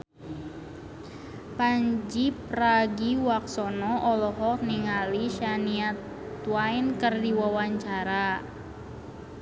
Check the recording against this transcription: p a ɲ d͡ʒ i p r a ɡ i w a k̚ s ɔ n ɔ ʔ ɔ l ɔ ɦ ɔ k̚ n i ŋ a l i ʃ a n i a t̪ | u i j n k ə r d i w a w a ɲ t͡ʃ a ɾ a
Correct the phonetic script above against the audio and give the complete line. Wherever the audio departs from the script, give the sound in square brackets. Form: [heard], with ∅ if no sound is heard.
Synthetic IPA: p a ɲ d͡ʒ i p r a ɡ i w a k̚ s ɔ n ɔ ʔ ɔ l ɔ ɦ ɔ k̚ n i ŋ a l i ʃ a n i a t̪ | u [a] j n k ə r d i w a w a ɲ t͡ʃ a ɾ a